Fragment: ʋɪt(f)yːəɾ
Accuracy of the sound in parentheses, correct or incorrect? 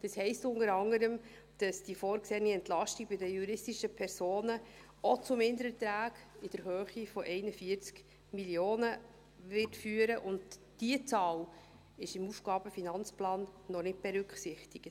correct